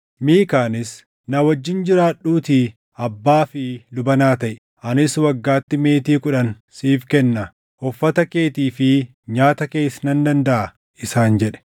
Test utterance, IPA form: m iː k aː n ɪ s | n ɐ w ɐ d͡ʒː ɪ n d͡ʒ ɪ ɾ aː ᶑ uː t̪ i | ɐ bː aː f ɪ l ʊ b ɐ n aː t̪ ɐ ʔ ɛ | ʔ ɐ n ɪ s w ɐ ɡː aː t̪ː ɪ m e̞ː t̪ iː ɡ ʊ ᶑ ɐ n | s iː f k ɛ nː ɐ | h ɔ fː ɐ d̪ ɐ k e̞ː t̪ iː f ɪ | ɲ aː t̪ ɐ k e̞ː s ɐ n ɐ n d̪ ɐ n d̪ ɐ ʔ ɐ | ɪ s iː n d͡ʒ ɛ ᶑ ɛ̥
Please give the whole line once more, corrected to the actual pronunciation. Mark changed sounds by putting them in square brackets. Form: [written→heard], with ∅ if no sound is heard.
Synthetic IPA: m iː k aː n ɪ s | n ɐ w ɐ d͡ʒː ɪ n d͡ʒ ɪ ɾ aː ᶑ uː t̪ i | ɐ bː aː f ɪ l ʊ b ɐ n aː t̪ ɐ ʔ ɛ | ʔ ɐ n ɪ s w ɐ ɡː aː t̪ː ɪ m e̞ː t̪ iː [ɡ→k] ʊ ᶑ ɐ n | s iː f k ɛ nː ɐ | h ɔ fː ɐ [d̪→t̪] ɐ k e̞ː t̪ iː f ɪ | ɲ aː t̪ ɐ k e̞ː s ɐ n ɐ n d̪ ɐ n d̪ ɐ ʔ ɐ | ɪ s [iː→aː] n d͡ʒ ɛ ᶑ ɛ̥